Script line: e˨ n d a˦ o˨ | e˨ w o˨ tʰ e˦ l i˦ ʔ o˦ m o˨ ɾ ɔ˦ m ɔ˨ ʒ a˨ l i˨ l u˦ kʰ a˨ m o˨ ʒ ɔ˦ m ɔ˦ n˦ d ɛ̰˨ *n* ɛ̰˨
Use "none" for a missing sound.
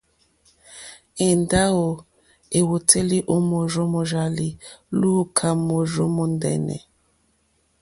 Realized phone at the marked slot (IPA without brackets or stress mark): n